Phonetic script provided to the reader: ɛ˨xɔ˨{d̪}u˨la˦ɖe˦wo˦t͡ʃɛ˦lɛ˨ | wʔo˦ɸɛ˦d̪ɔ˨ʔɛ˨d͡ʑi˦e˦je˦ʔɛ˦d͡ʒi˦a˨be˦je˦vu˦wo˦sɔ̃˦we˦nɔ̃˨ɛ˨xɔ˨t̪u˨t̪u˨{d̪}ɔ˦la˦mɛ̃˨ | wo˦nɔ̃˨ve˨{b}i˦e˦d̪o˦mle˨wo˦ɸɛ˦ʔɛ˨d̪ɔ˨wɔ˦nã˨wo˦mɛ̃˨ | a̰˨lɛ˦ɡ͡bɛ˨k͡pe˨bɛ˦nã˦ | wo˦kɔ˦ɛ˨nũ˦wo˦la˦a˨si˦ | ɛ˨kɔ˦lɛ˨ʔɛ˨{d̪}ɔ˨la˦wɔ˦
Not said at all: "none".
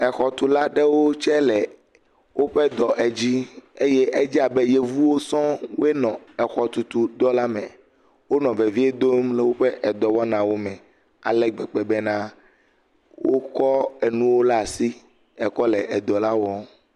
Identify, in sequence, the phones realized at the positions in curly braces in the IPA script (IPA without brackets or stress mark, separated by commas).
t̪, d̪, v, d̪